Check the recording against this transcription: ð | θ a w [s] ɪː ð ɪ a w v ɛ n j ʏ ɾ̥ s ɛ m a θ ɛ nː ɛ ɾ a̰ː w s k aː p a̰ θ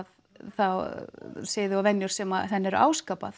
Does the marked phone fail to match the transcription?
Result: no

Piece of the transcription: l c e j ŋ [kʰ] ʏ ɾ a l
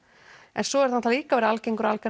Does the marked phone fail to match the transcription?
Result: yes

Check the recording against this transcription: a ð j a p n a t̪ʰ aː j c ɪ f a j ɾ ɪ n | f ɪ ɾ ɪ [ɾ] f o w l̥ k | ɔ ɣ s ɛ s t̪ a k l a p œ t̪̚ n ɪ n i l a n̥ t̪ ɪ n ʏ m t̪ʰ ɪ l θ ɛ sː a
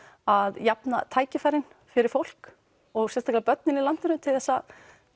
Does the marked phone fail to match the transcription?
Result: no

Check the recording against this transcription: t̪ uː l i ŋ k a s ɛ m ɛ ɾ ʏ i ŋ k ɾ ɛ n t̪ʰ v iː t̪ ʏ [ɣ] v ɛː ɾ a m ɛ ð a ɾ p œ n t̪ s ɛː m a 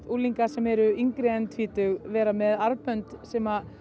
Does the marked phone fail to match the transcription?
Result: no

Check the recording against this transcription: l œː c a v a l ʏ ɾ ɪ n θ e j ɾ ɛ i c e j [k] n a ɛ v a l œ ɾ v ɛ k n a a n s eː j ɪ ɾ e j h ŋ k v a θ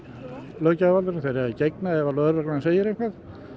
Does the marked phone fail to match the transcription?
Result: no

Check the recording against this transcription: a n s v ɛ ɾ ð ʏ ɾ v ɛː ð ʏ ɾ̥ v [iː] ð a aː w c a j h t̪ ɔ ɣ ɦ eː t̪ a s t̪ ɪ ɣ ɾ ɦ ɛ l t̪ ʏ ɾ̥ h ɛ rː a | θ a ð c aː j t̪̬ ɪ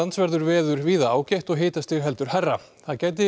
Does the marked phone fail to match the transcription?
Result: no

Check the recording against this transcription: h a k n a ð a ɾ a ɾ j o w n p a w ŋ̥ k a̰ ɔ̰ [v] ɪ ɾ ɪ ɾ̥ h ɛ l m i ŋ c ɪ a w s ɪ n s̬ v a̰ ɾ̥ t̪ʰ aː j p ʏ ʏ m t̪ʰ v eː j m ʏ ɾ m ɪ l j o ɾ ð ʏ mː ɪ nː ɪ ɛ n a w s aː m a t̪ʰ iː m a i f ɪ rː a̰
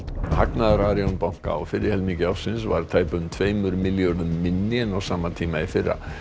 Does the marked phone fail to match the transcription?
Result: yes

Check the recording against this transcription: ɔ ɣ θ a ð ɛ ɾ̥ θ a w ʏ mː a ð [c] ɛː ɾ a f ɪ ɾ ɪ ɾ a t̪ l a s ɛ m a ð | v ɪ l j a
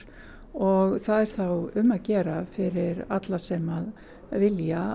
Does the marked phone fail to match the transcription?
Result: no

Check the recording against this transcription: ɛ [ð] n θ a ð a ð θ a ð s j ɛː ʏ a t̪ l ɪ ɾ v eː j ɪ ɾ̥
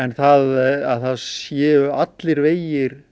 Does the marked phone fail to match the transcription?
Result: yes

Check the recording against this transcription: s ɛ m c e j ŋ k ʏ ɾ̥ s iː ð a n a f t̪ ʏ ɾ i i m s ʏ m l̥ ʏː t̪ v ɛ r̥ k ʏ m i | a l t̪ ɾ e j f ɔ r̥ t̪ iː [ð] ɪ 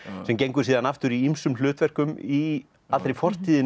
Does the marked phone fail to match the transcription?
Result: no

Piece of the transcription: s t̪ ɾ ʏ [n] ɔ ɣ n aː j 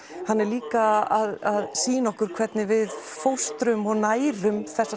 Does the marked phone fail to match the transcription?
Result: yes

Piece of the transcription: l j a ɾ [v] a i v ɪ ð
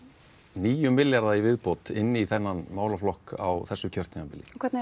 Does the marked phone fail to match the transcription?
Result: yes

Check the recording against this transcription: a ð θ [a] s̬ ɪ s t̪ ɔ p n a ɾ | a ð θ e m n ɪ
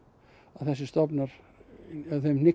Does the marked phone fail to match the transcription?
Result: yes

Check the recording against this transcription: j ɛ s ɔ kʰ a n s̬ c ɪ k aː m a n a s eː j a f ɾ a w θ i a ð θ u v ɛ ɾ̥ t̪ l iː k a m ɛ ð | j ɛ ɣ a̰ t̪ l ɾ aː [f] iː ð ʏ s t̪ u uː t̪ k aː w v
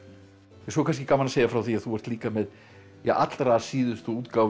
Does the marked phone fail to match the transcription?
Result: yes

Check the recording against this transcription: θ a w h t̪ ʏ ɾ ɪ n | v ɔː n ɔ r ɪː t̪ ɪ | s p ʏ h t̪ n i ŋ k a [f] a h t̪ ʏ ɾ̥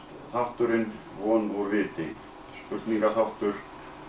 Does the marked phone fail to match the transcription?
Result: yes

